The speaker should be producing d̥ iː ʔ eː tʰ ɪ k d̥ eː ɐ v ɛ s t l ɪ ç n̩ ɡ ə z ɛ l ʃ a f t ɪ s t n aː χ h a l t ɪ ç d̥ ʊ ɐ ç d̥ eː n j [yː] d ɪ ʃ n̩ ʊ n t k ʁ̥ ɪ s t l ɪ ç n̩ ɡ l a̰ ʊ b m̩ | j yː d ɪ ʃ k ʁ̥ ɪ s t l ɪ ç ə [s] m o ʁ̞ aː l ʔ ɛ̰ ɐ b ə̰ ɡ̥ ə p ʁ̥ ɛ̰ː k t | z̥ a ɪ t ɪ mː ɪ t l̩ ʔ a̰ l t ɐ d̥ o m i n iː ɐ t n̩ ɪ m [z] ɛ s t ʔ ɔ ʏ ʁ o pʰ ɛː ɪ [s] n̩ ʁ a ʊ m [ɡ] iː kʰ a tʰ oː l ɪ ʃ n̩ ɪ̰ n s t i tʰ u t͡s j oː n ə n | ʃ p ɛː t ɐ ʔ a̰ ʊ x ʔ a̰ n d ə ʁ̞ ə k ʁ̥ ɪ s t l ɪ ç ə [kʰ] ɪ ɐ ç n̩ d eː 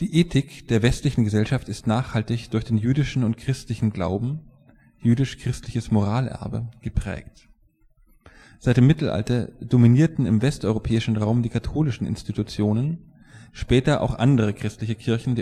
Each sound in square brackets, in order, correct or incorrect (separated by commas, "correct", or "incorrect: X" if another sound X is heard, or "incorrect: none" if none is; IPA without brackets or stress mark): correct, correct, incorrect: v, incorrect: ʃ, incorrect: d, correct